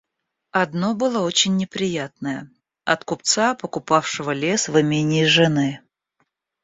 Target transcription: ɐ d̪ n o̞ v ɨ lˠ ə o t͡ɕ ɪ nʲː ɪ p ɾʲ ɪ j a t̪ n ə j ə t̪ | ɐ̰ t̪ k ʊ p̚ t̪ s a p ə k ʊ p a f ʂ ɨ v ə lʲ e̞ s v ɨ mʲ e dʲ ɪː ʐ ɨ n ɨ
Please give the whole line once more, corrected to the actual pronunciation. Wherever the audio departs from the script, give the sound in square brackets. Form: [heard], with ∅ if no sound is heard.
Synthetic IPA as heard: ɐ d̪ n o̞ [b] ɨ lˠ ə o t͡ɕ ɪ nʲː ɪ p ɾʲ ɪ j a t̪ n ə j ə [∅] | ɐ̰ t̪ k ʊ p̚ t̪ s a p ə k ʊ p a f ʂ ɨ v ə lʲ e̞ s v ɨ mʲ e [nʲ] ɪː ʐ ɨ n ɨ